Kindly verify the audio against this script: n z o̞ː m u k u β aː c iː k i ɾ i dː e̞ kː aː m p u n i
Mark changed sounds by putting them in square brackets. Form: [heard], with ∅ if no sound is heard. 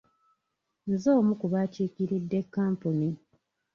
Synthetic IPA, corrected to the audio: n z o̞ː m u k u β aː c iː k i ɾ i dː e̞ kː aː m p u n i